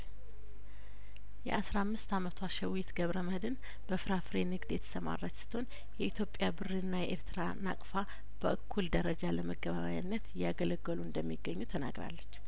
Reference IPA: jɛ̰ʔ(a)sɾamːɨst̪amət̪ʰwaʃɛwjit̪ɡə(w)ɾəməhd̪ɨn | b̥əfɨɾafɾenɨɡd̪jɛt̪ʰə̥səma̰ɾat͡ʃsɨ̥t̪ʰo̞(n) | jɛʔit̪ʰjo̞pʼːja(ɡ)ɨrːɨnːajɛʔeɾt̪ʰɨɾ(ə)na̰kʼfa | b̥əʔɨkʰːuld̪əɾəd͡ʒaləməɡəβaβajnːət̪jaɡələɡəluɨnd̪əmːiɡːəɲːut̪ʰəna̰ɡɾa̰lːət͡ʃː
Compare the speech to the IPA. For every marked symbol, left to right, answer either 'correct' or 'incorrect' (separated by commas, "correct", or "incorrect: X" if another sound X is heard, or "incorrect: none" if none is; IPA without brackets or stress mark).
correct, incorrect: β, correct, incorrect: b, incorrect: a